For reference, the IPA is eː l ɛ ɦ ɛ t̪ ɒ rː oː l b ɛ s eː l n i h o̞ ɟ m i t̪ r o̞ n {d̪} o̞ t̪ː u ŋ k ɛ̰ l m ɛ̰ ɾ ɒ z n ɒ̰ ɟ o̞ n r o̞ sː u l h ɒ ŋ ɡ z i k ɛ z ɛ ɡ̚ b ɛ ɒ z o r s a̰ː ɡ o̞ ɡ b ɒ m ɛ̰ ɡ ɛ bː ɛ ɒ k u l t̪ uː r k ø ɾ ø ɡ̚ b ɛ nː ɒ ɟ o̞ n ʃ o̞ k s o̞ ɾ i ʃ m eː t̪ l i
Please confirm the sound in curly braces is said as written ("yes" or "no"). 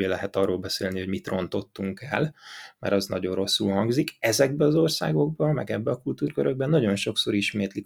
no